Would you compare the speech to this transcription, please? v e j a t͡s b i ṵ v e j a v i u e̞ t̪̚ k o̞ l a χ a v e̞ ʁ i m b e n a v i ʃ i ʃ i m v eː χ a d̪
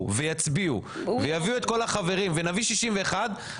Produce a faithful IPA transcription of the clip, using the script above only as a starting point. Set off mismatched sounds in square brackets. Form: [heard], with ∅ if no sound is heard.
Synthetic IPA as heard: v e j a t͡s b i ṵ v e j a v i u e̞ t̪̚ k o̞ l a χ a v e̞ ʁ i m [v] e n a v i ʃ i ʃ i m v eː χ a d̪